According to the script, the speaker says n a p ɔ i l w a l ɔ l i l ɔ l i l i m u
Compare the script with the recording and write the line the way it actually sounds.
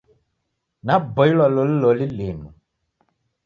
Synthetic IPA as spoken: n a b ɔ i l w a l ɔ l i l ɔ l i l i m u